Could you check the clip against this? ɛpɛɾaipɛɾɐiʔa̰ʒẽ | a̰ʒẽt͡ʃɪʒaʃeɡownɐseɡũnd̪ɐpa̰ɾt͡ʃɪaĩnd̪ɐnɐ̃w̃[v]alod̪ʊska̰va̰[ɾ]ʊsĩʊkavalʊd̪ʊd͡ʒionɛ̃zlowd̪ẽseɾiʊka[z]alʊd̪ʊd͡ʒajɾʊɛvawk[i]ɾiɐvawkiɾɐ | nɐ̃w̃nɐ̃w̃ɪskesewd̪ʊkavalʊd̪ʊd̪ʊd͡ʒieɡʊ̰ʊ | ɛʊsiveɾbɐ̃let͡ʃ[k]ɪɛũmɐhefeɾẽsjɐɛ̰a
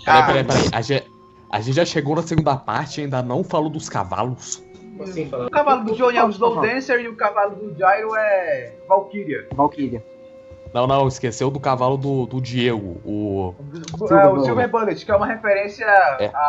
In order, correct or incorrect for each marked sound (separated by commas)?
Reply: incorrect, incorrect, incorrect, correct, correct